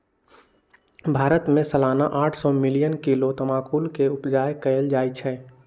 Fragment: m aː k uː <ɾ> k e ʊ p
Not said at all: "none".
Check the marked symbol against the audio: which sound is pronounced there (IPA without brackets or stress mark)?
l